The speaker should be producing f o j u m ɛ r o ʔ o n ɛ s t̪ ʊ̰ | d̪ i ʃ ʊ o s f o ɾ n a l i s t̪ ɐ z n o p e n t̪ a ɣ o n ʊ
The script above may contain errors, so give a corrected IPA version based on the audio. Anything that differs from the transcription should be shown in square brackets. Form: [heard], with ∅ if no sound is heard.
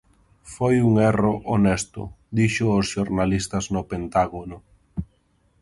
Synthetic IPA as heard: f o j u [ŋ] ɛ r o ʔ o n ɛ s t̪ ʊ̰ | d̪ i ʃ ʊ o s [ʃ] o ɾ n a l i s t̪ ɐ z n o p e n t̪ a ɣ o n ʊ

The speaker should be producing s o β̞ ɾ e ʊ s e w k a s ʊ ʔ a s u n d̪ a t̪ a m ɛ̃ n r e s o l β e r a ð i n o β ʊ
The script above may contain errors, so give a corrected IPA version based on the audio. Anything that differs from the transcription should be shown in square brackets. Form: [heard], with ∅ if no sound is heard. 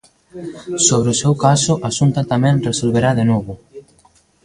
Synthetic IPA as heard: s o β̞ ɾ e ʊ s e w k a s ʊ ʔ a s u n [t̪] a t̪ a m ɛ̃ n r e s o l β e [ɾ] a ð [e] n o β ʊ

